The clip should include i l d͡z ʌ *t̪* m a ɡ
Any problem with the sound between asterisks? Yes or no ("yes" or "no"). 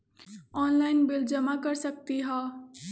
yes